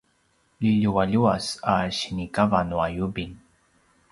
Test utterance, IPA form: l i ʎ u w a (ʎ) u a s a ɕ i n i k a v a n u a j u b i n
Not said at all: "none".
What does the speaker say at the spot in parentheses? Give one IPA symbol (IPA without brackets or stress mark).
ʎ